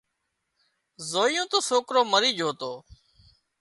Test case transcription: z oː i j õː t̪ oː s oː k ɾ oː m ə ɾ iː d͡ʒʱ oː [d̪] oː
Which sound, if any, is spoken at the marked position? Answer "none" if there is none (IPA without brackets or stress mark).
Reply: t̪